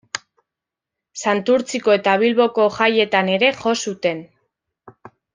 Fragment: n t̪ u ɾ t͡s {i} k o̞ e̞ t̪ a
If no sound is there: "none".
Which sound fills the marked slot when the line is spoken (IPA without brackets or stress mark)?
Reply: i